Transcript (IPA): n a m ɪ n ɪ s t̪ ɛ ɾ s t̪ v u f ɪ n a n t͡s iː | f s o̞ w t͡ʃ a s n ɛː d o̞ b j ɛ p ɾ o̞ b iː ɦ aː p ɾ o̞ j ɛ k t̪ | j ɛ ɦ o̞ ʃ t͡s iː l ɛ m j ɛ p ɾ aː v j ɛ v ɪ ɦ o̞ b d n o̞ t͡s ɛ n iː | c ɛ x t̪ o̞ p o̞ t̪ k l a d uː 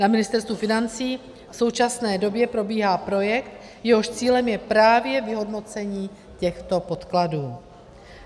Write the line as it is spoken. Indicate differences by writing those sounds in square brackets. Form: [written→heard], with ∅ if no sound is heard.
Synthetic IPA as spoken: n a m ɪ n ɪ s t̪ ɛ ɾ s t̪ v u f ɪ n a n t͡s iː | f s o̞ w t͡ʃ a s n ɛː d o̞ b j ɛ p ɾ o̞ b iː ɦ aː p ɾ o̞ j ɛ k t̪ | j ɛ ɦ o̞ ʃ t͡s iː l ɛ m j ɛ p ɾ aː v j ɛ v ɪ ɦ o̞ [b→∅] d n o̞ t͡s ɛ [n→ɲ] iː | c ɛ x t̪ o̞ p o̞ t̪ k l a d uː